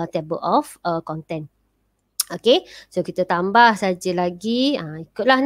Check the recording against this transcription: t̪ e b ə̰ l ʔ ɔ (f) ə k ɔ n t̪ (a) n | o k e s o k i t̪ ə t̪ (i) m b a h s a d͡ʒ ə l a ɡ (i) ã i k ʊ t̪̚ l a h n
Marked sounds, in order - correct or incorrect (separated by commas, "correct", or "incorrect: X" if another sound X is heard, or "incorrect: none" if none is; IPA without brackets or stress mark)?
correct, incorrect: ɛ, incorrect: a, correct